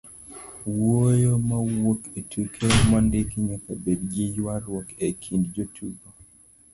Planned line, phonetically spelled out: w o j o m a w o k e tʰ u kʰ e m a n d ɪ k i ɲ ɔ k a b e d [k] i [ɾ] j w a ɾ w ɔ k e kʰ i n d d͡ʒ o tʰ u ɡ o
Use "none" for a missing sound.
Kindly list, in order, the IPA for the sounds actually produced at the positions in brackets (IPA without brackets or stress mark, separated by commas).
ɡ, none